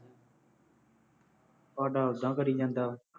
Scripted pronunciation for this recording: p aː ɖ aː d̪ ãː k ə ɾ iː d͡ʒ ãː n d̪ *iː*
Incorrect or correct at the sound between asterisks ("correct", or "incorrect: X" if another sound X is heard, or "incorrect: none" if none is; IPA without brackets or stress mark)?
incorrect: aː